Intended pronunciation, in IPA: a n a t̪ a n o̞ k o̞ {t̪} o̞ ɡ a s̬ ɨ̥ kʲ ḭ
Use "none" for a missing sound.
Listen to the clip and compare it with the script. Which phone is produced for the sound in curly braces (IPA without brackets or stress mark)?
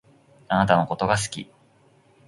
t̪